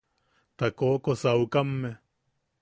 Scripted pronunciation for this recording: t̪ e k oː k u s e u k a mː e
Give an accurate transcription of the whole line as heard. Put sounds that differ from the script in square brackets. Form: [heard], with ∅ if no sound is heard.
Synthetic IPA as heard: t̪ [a] k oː k [o] s [a] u k a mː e